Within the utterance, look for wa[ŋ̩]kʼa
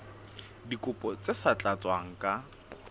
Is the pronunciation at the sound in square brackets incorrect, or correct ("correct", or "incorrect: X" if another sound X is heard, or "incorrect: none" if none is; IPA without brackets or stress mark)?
correct